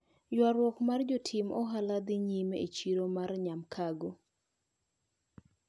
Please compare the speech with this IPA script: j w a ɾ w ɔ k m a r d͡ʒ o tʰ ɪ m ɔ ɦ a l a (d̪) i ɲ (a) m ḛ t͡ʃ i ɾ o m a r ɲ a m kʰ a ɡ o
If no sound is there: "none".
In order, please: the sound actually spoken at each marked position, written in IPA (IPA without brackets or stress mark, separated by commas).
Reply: d̪, i